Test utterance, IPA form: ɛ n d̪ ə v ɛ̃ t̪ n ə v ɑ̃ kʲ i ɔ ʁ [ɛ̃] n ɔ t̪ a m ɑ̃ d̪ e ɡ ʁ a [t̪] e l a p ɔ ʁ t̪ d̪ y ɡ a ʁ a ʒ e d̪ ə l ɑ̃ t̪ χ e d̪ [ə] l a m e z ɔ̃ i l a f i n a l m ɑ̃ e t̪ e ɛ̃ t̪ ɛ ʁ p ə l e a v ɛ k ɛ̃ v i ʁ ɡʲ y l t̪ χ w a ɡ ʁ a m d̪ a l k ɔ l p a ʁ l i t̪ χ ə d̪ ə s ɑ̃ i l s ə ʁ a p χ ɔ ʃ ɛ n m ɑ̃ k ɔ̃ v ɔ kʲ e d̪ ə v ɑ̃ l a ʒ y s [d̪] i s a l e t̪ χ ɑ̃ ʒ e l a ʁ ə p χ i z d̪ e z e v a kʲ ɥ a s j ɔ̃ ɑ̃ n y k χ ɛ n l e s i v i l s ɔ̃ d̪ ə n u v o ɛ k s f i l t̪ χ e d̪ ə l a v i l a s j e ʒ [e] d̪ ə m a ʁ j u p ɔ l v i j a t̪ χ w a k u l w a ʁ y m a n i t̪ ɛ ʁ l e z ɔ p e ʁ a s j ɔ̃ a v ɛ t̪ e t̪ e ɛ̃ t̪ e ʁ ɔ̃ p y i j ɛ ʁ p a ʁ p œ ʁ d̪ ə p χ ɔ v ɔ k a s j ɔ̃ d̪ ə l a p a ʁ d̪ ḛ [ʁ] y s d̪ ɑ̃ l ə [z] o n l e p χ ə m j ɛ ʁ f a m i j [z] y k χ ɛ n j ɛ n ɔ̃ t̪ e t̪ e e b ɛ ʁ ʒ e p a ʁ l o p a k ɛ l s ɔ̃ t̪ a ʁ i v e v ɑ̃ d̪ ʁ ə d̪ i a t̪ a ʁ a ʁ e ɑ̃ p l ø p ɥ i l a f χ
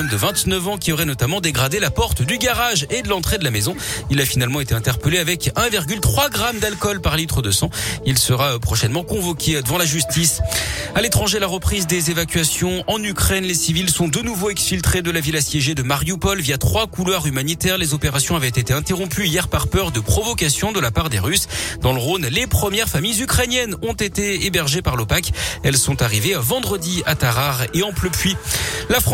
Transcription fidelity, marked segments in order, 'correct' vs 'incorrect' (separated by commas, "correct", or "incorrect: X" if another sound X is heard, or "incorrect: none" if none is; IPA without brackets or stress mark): incorrect: ɛ, incorrect: d̪, correct, incorrect: t̪, correct, correct, incorrect: ʁ, correct